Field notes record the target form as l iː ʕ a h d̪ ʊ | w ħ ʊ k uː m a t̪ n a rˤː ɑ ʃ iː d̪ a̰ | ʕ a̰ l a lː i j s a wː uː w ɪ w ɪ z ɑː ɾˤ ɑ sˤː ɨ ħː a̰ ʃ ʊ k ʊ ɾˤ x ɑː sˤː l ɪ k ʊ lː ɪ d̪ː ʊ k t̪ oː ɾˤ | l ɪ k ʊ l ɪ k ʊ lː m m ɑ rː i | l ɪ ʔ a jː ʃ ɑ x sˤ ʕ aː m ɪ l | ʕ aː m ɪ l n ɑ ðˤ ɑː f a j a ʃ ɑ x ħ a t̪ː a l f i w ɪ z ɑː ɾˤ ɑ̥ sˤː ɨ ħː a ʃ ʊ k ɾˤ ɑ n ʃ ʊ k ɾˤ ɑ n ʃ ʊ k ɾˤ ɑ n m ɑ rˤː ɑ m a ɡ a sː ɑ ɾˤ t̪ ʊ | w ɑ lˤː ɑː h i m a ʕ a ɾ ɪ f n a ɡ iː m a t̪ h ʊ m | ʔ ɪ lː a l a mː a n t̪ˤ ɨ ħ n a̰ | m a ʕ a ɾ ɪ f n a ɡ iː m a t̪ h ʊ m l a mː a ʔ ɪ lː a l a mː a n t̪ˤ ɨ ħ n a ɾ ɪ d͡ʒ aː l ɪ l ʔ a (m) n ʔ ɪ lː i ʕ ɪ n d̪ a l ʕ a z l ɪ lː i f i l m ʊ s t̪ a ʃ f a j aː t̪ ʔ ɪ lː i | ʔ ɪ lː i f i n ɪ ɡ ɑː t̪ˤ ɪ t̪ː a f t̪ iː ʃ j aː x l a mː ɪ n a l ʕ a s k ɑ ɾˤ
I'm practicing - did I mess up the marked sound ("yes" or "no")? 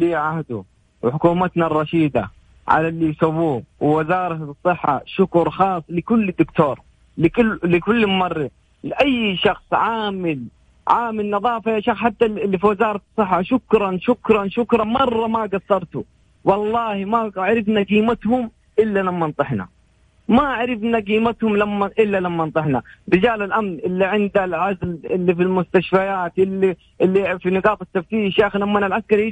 no